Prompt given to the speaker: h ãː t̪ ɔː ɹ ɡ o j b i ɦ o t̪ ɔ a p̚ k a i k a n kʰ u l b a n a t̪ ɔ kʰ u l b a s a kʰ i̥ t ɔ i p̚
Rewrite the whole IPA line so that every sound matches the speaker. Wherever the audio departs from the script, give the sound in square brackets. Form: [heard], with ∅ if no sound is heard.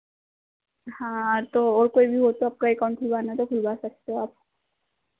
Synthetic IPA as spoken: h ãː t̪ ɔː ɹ [k] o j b i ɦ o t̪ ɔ a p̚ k a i k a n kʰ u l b a n a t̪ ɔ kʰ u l b a s a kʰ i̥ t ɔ [a] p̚